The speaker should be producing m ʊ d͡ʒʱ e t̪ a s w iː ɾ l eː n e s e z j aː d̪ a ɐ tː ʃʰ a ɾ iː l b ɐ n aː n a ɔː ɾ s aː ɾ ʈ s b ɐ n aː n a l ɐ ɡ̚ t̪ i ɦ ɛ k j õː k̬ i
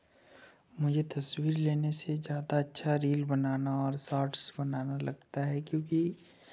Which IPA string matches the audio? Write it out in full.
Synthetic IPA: m ʊ d͡ʒʱ e t̪ ɐ s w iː ɾ l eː n e s e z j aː d̪ a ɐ tː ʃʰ a ɾ iː l b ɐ n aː n a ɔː ɾ s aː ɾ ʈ s b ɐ n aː n a l ɐ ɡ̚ t̪ a ɦ ɛ k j õː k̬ i